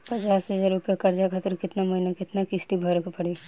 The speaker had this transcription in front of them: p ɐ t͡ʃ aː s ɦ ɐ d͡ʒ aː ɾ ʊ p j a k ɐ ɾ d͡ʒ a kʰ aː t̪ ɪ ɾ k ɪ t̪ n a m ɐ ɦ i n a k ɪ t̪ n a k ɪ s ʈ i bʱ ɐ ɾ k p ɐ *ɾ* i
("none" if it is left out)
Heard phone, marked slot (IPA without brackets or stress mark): ɽ